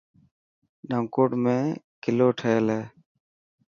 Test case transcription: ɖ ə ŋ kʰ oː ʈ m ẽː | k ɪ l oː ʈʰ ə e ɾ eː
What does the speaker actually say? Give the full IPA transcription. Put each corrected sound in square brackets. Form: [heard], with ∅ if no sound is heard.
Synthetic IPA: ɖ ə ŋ [k] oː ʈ m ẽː | k ɪ l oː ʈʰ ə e [l] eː